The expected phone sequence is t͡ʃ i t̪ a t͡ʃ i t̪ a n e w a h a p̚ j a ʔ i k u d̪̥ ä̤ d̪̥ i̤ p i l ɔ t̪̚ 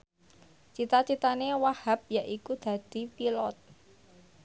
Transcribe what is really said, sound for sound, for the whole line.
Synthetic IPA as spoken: t͡ʃ i t̪ a t͡ʃ i t̪ a n e w a h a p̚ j a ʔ i k u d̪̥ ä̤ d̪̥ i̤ p i l ɔ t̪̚